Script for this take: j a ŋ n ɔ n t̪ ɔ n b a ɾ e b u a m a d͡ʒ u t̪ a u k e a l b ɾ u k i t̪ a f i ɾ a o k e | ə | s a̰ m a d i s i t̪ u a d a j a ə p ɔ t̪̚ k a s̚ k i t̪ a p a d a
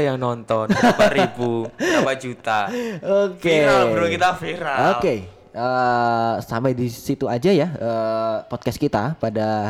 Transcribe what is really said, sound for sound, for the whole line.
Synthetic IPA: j a ŋ n ɔ n t̪ ɔ n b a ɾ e b u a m a d͡ʒ u t̪ a o k e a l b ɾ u k i t̪ a f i ɾ a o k e | ə | s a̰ m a d i s i t̪ u a d͡ʒ a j a ə p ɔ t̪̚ k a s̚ k i t̪ a p a d a